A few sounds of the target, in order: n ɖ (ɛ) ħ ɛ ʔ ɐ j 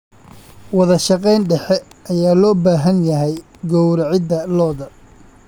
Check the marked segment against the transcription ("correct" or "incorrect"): correct